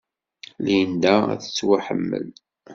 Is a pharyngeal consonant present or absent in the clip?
present